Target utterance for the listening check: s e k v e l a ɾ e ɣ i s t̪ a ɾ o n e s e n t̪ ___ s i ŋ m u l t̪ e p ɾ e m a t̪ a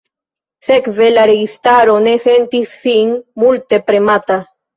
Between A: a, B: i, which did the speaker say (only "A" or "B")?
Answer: B